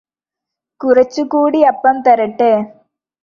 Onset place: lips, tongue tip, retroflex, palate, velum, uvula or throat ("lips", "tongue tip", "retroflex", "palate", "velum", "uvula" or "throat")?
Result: velum